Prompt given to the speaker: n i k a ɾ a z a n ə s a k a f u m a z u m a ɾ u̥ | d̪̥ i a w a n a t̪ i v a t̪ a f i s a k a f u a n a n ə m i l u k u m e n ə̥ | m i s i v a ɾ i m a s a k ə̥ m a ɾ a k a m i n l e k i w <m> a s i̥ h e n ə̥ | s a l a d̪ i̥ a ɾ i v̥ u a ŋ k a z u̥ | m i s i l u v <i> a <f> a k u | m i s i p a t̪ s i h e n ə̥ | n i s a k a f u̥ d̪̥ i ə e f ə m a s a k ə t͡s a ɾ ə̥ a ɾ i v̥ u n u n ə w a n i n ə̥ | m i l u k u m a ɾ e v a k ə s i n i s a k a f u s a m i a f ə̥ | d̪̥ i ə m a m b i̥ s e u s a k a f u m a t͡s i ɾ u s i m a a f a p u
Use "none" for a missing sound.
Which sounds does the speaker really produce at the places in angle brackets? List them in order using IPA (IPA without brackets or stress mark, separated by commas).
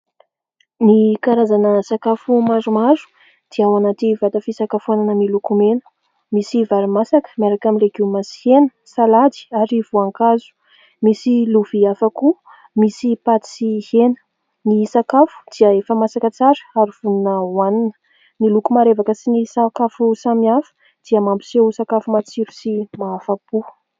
m, i, f